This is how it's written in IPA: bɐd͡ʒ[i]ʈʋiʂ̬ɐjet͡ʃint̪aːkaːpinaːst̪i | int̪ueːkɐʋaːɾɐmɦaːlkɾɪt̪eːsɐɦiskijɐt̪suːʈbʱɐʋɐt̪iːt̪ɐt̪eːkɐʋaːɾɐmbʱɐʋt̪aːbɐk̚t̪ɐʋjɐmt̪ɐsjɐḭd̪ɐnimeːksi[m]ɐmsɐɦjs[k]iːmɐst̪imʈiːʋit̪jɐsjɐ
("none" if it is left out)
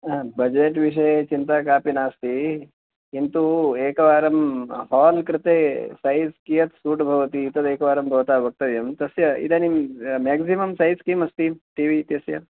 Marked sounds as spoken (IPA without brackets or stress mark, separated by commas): e, m, k